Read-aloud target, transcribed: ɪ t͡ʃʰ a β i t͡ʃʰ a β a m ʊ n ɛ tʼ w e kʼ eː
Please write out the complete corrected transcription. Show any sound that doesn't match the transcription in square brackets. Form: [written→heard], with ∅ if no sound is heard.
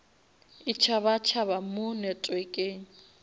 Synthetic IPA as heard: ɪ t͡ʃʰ a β [i→a] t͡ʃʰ a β a m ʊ n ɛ tʼ w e kʼ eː